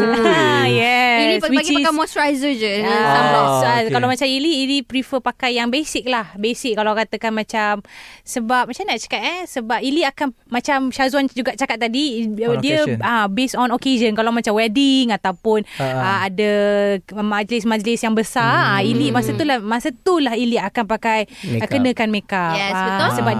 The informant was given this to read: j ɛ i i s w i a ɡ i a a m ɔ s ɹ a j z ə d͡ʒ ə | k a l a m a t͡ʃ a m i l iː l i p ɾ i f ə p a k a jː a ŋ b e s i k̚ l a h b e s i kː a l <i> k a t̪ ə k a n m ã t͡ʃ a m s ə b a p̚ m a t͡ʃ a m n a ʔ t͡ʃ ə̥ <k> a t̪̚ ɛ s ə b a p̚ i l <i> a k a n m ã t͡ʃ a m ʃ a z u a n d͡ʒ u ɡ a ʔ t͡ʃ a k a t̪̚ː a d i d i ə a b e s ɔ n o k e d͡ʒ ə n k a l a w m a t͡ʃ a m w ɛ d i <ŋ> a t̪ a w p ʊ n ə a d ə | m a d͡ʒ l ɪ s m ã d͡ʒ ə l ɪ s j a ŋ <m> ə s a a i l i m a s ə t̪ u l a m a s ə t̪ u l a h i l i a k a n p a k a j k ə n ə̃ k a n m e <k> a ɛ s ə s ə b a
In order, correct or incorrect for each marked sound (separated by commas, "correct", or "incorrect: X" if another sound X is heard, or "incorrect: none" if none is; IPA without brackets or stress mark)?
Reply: incorrect: a, correct, correct, correct, incorrect: b, correct